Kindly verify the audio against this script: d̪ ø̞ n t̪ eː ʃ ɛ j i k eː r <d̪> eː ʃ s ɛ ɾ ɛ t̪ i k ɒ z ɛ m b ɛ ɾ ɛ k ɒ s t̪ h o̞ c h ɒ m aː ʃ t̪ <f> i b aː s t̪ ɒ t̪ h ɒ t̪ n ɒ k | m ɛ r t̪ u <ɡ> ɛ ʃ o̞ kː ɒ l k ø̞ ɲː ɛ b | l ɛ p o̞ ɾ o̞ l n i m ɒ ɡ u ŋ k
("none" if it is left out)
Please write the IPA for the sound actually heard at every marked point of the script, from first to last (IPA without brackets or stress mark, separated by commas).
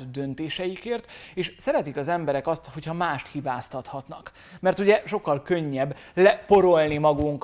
t̪, h, ɟ